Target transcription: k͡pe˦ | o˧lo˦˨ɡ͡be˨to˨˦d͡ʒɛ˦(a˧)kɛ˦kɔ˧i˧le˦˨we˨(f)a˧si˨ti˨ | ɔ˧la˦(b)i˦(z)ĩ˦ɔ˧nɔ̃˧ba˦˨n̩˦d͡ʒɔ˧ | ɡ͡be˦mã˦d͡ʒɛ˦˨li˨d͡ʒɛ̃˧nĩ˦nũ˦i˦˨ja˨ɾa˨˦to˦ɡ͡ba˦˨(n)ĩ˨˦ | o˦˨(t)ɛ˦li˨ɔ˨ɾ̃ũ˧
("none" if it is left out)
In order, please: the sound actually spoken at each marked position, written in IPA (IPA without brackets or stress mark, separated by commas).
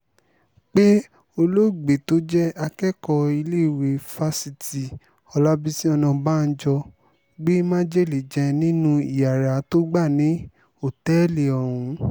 a˧, f, b, s, n, t